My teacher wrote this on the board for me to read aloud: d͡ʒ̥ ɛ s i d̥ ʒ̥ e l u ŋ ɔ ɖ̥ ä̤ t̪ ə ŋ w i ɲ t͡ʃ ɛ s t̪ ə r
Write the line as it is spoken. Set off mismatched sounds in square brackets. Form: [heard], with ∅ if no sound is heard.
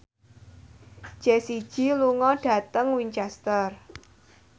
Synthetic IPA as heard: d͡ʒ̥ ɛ s i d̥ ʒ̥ [i] l u ŋ ɔ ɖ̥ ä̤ t̪ ə ŋ w i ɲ t͡ʃ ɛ s t̪ ə r